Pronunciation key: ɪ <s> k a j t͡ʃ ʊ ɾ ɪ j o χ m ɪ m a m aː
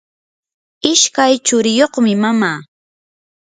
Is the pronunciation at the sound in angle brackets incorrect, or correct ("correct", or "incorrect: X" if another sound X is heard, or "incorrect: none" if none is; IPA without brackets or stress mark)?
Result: incorrect: ʃ